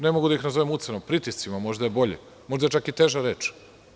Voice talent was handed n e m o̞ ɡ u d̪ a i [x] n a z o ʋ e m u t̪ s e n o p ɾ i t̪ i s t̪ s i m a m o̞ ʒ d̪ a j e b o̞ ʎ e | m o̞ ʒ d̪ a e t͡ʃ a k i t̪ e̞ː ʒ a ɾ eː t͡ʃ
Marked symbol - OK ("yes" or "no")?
yes